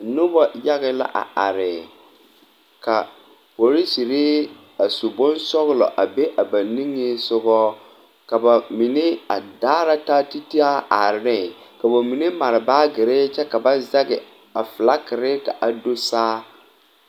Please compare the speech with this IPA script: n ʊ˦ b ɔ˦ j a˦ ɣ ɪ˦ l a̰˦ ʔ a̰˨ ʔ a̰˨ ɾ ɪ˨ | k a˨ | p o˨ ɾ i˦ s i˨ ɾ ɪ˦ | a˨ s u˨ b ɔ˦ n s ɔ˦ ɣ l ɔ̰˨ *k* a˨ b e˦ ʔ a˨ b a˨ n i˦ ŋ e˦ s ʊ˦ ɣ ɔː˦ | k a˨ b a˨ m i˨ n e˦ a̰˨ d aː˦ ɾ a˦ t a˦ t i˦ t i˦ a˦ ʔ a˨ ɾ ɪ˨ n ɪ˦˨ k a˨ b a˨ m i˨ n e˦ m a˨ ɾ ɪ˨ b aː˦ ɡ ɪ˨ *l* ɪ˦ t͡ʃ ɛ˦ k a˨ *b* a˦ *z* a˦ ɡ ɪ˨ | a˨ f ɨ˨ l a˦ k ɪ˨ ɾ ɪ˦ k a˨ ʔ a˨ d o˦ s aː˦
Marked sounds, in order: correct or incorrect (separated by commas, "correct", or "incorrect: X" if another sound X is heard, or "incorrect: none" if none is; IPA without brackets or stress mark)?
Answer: incorrect: ʔ, incorrect: ɾ, correct, correct